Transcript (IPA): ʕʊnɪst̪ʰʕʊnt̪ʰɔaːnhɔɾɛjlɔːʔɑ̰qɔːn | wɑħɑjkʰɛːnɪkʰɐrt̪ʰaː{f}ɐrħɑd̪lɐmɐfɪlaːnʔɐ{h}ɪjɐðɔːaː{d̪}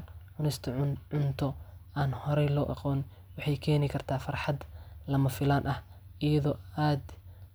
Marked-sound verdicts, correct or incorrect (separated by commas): correct, correct, correct